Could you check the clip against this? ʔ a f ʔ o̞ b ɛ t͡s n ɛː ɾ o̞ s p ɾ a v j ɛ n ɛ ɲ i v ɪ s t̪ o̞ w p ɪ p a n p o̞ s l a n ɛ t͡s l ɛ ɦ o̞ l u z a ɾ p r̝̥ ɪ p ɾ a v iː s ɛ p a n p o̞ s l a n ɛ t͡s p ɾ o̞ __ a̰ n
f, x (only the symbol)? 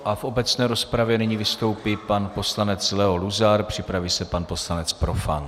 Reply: f